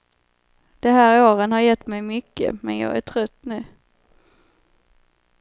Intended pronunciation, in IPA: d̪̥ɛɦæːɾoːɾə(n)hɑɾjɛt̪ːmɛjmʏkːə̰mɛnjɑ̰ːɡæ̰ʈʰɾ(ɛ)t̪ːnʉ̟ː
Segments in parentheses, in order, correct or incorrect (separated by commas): correct, incorrect